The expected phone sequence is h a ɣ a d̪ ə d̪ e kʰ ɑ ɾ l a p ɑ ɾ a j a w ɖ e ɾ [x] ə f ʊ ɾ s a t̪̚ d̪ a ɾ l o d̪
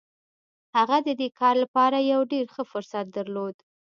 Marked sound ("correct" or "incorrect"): correct